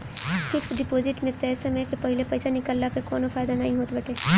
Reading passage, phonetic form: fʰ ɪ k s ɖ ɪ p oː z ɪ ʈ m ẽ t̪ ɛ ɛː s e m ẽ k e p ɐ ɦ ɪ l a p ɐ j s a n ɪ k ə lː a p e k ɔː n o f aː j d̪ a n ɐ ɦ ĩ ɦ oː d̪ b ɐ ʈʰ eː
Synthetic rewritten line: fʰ ɪ k s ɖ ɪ p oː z ɪ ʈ m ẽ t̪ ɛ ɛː s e m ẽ k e p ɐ ɦ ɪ l e p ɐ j s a n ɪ k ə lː a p e k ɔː n o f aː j d̪ a n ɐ ɦ ĩ ɦ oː t̪ b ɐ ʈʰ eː